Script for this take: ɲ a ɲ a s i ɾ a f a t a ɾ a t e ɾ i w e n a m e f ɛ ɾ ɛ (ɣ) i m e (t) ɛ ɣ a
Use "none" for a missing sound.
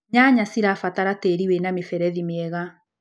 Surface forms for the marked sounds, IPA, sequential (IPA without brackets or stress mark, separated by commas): ð, none